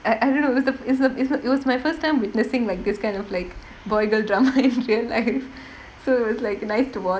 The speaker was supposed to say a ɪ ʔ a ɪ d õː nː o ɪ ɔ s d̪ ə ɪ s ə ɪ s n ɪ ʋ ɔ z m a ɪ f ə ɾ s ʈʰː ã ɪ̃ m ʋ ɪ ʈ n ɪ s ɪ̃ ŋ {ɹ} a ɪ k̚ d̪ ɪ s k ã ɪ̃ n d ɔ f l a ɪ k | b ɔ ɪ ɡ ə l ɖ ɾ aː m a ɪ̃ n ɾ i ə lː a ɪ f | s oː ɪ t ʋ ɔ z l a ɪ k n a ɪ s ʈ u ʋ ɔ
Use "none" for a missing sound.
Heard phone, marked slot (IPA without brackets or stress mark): l